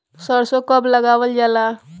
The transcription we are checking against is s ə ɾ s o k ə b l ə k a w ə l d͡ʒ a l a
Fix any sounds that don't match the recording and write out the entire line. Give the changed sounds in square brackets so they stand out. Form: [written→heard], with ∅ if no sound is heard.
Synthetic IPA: s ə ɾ s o k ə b l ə [k→ɡ] a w ə l d͡ʒ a l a